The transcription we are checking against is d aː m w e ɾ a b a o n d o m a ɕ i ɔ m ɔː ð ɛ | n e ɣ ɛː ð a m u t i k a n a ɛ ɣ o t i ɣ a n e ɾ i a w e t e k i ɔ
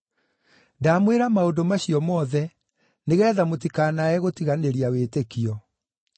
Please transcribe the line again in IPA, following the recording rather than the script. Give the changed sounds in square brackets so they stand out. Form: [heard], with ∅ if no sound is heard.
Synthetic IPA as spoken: d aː m w e ɾ a [m] a o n d o m a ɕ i ɔ m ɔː ð ɛ | n e ɣ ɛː ð a m [o] t i k a n a ɛ ɣ o t i ɣ a n e ɾ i a w e t e k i ɔ

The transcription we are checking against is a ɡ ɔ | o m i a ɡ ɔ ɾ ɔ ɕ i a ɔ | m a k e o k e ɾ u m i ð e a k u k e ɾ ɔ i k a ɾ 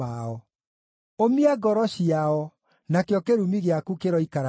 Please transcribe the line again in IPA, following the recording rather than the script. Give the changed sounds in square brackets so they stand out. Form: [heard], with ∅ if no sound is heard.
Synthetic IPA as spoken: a [∅] ɔ | o m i a ɡ ɔ ɾ ɔ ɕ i a ɔ | [n] a k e [ɔ] k e ɾ u m i [ɣ] e a k u k e ɾ ɔ i k a ɾ

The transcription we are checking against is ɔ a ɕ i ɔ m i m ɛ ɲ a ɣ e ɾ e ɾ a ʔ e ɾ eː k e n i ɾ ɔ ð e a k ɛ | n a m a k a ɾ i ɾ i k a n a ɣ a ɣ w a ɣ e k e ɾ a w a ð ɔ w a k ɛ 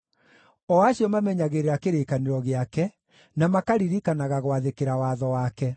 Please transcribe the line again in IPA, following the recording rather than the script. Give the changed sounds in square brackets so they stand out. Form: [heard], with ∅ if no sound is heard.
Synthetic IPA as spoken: ɔ a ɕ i ɔ m [a] m ɛ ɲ a ɣ e ɾ e ɾ a [k] e ɾ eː k [a] n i ɾ ɔ [ɣ] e a k ɛ | n a m a k a ɾ i ɾ i k a n a ɣ a ɣ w a [ð] e k e ɾ a w a ð ɔ w a k ɛ

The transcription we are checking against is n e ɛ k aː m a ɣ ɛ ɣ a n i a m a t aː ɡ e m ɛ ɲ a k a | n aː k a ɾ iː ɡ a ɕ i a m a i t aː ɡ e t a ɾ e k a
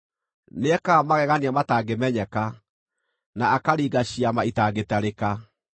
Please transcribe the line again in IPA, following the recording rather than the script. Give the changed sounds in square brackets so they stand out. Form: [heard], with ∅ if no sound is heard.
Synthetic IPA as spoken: n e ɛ k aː m a ɣ ɛ ɣ a n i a m a t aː ɡ e m ɛ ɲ [ɛ] k a | n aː k a ɾ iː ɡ a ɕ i a m a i t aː ɡ e t a ɾ e k a

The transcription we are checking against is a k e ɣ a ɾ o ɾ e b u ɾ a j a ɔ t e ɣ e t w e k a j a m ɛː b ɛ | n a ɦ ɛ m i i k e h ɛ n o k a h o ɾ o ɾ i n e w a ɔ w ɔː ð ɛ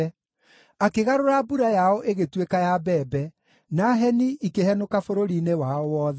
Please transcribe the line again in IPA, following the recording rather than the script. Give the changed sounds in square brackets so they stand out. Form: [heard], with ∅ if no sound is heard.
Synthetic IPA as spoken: a k e ɣ a ɾ o ɾ [a] b u ɾ a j a ɔ [ʔ] e ɣ e t w e k a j a [b] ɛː b ɛ | n a ɦ ɛ [n] i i k e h ɛ n o k a [f] o ɾ o ɾ i n e w a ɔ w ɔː ð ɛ

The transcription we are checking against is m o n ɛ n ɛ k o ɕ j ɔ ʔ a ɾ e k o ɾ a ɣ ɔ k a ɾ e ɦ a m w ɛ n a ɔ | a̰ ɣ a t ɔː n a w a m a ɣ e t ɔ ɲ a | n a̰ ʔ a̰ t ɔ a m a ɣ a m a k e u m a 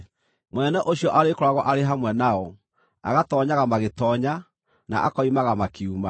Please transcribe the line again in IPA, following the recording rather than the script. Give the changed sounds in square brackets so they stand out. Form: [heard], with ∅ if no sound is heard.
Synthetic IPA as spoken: m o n ɛ n ɛ [ʔ] o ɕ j ɔ ʔ a ɾ e k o ɾ a ɣ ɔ [ʔ] a ɾ e ɦ a m w ɛ n a ɔ | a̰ ɣ a t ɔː [ɲ] a [ɣ] a m a ɣ e t ɔ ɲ a | n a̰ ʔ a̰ [k] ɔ [i] m a ɣ a m a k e u m a

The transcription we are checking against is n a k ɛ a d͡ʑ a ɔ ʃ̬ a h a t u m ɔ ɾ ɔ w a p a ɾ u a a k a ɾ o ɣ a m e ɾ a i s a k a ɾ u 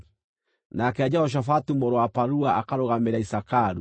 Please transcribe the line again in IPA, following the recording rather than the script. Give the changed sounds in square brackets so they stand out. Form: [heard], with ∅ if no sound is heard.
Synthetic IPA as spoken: n a k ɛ a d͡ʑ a ɔ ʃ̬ a [f] a t u m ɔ ɾ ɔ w a p a ɾ u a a k a ɾ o ɣ a m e ɾ a i s a k a ɾ u

